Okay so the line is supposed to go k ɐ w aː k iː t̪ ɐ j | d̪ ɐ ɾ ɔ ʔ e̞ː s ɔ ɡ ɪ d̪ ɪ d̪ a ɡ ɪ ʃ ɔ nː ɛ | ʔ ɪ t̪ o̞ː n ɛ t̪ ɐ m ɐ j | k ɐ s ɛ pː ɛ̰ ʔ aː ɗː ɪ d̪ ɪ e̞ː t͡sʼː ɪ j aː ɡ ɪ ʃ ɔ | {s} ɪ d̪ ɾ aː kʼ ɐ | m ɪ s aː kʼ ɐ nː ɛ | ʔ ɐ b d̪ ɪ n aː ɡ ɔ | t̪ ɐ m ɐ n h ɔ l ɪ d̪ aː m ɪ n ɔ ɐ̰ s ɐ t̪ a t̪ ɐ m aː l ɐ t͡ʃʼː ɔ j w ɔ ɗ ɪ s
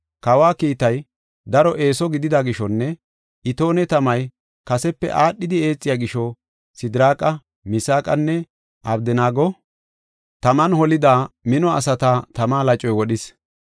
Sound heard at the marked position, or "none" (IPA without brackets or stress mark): s